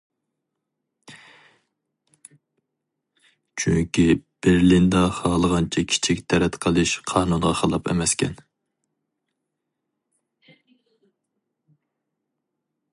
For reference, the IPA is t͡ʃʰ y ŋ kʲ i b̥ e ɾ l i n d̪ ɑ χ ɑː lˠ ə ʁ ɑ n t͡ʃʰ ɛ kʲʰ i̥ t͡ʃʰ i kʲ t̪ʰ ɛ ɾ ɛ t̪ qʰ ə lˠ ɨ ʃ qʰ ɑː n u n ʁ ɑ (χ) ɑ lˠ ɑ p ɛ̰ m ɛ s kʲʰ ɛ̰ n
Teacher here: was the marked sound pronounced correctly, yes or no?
yes